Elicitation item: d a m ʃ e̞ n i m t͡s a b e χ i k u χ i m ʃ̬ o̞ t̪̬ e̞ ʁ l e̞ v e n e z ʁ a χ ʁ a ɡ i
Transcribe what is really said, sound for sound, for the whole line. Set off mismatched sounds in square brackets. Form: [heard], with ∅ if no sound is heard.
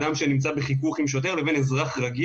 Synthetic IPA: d a m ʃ e̞ n i m t͡s a b e χ i k u χ i m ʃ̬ o̞ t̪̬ e̞ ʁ l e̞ v e n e z ʁ a χ ʁ a ɡ i